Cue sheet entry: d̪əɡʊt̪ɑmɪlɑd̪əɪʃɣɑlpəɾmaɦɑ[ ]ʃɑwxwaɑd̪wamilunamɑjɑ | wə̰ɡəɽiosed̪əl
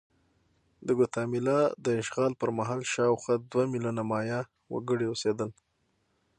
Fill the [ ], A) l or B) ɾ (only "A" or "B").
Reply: A